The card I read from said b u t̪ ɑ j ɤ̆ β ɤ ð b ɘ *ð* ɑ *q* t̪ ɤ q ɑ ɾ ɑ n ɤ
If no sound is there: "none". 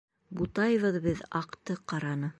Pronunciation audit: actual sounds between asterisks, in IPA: ð, q

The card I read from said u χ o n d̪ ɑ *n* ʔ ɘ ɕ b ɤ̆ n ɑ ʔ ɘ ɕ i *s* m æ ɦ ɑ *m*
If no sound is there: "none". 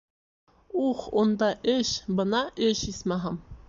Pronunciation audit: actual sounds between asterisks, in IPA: none, s, m

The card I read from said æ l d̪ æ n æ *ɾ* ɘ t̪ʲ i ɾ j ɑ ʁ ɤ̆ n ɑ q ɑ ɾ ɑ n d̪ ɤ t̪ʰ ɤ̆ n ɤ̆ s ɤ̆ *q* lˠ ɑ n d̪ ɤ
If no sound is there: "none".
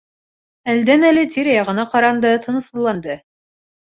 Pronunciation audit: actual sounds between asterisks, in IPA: l, none

